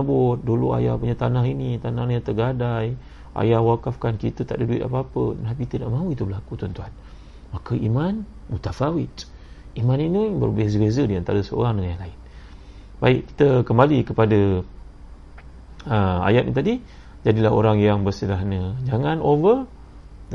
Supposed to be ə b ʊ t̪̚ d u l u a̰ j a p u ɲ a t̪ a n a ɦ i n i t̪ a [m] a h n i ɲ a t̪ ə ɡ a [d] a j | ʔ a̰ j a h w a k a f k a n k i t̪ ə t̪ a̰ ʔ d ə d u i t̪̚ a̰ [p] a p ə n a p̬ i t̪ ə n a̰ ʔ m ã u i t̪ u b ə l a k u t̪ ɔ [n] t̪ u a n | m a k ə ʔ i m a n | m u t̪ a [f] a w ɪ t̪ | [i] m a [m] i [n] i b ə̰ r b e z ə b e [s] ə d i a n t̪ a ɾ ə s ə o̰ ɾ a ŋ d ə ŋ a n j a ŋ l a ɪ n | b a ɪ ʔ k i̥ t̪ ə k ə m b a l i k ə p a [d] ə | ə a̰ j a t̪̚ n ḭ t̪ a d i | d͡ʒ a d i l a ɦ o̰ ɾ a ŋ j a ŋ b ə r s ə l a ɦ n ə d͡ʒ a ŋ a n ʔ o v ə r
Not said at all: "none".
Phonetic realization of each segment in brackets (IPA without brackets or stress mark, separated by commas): n, d, p, n, f, i, n, n, z, d